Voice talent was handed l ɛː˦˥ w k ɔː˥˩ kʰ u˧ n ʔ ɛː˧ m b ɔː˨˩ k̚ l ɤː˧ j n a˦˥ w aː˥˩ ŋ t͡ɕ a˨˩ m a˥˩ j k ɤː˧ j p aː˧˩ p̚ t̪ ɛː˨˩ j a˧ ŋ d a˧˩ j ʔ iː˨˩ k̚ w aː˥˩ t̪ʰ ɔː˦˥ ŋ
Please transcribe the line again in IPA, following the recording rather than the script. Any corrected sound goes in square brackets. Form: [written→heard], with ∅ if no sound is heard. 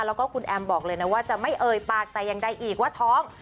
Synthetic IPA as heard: l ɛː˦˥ w k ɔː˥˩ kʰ u˧ n ʔ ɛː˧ m b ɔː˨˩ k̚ l ɤː˧ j n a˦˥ w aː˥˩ [ŋ→∅] t͡ɕ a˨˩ m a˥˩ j [k→ʔ] ɤː˧ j p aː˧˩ [p̚→k̚] t̪ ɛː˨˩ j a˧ ŋ d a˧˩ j ʔ iː˨˩ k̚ w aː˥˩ t̪ʰ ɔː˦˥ ŋ